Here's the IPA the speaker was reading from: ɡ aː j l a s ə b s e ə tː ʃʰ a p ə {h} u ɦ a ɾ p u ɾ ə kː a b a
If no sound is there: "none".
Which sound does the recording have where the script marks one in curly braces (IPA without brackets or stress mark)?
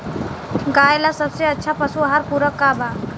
s